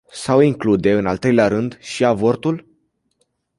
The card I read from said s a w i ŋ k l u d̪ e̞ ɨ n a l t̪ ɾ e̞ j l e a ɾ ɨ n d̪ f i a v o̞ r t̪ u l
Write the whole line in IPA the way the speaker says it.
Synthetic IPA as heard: s a w i ŋ k l u d̪ e̞ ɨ n a l t̪ ɾ e̞ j l e a ɾ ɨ n d̪ ʃ i a v o̞ r t̪ u l